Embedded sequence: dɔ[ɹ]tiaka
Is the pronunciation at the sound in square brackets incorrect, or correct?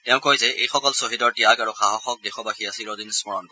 correct